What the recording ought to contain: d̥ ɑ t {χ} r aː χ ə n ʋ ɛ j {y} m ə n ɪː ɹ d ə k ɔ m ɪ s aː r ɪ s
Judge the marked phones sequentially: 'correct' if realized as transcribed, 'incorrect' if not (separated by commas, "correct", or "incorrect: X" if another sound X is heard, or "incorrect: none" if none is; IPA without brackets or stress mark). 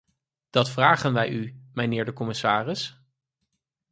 incorrect: f, correct